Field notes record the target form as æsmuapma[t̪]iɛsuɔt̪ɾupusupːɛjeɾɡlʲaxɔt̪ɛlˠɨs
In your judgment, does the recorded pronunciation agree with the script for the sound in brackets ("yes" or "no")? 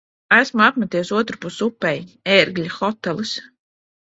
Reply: yes